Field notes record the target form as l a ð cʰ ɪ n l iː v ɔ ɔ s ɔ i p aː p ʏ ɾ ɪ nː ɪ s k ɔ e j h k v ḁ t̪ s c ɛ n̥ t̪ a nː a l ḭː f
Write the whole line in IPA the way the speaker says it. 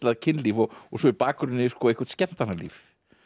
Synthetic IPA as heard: l a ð cʰ ɪ n l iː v ɔ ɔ s ɔ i p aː k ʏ ɾ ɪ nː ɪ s k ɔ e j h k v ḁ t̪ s c ɛ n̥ t̪ a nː a l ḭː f